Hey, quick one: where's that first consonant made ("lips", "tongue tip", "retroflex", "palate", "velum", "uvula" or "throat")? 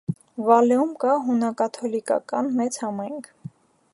lips